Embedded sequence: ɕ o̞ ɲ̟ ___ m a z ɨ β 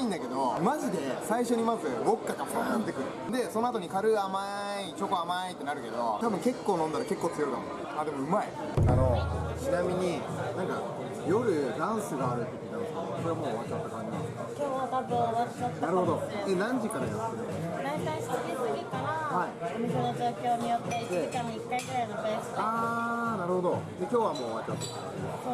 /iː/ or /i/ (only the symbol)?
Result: i